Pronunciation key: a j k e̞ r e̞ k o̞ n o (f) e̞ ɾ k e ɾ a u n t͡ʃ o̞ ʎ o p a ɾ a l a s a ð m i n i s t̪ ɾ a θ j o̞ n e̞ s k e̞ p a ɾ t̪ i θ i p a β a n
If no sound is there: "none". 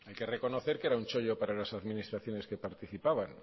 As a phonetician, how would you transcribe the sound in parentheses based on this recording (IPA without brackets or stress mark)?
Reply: θ